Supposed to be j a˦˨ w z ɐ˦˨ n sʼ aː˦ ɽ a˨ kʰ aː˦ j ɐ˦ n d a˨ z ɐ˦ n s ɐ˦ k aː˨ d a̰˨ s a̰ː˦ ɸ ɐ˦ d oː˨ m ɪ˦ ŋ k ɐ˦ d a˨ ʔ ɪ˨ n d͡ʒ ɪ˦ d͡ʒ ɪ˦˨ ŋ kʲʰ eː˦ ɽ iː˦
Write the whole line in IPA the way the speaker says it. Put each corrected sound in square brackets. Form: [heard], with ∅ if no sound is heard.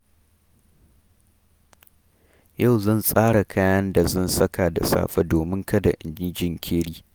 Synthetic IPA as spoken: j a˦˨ w z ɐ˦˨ n sʼ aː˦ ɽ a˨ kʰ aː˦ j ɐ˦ n d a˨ z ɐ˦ n s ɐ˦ k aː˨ d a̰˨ s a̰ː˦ ɸ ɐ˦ d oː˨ m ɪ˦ ŋ k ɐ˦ d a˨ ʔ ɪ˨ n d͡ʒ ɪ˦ d͡ʒ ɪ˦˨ ŋ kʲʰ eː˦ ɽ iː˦